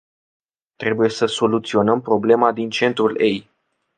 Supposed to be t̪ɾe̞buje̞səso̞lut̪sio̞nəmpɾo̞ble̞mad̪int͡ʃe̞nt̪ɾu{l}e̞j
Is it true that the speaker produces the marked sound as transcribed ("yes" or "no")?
yes